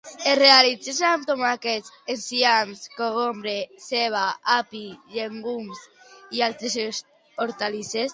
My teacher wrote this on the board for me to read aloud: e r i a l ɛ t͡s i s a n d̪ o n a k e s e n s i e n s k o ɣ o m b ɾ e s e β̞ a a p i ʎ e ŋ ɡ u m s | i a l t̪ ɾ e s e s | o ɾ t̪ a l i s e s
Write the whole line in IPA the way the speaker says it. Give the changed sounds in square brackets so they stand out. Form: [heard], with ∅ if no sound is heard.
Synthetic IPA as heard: e r [e] a l [i] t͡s [e] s a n [t̪] o [m] a k e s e n s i [a] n s k o ɣ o m b ɾ e s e β̞ a a p i ʎ e ŋ ɡ u m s | i a l t̪ ɾ e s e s | o ɾ t̪ a l i s e s